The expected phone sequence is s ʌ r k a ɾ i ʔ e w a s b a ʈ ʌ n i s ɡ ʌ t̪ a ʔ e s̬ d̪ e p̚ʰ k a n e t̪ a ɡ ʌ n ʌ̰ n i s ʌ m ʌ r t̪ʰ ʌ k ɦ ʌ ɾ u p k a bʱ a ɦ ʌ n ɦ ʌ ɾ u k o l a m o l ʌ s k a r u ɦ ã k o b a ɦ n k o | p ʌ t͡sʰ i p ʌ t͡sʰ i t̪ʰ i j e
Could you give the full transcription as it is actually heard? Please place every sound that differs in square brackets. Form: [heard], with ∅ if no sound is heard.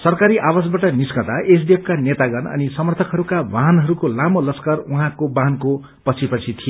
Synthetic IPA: s ʌ r k a ɾ i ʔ [a] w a s b a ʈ ʌ n i s [k] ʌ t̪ a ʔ e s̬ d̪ e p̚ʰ k a n e t̪ a ɡ ʌ n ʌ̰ n i s ʌ m ʌ r t̪ʰ ʌ k ɦ ʌ ɾ u [∅] k a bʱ a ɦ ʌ n ɦ ʌ ɾ u k o l a m o l ʌ s k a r u ɦ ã k o b a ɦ n k o | p ʌ t͡sʰ i p ʌ t͡sʰ i t̪ʰ i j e